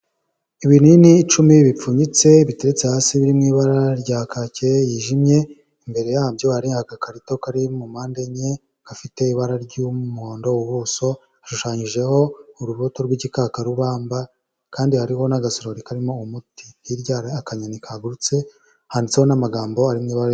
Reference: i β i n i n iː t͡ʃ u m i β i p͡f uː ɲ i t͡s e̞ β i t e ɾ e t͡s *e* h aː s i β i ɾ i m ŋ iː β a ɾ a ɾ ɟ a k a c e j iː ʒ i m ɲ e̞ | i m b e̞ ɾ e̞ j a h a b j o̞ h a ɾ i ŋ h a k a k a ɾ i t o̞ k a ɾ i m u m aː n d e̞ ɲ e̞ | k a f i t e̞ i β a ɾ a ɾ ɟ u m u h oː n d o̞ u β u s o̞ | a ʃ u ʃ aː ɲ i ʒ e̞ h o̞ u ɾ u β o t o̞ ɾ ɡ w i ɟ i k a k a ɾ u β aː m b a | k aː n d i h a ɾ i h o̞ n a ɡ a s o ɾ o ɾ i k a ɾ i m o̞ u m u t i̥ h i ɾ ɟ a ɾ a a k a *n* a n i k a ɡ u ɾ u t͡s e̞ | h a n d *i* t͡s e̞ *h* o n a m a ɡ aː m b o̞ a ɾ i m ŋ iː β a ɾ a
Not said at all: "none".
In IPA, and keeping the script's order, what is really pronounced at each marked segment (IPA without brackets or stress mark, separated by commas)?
e, ɲ, i, h